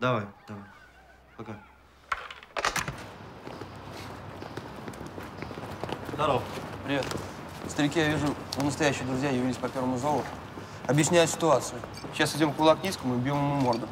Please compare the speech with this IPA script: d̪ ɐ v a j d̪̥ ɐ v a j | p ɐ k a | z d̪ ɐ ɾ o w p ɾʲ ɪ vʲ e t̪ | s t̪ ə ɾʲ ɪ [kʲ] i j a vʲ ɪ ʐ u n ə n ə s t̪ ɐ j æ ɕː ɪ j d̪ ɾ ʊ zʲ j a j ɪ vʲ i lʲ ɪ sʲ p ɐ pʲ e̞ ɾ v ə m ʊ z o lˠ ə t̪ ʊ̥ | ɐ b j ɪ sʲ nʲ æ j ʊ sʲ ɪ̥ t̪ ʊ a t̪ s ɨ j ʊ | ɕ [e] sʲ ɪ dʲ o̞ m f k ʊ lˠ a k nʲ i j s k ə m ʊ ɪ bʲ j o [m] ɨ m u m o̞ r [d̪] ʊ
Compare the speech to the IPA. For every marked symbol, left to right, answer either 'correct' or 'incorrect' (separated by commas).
correct, incorrect, correct, correct